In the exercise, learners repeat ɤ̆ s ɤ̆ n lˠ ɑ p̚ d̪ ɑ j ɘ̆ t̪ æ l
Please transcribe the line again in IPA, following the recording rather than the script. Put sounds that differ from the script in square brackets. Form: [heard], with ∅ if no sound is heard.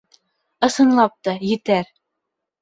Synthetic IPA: ɤ̆ s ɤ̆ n lˠ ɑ p̚ [t̪] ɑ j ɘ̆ t̪ æ [ɾ]